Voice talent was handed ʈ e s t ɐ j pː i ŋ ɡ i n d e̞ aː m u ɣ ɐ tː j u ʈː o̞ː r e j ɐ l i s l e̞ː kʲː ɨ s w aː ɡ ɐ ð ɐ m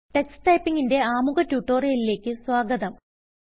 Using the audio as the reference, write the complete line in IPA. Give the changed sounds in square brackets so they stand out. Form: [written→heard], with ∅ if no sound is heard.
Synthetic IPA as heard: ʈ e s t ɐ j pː i ŋ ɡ i n d e̞ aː m u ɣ ɐ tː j u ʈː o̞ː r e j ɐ l i [s→∅] l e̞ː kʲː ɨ s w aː ɡ ɐ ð ɐ m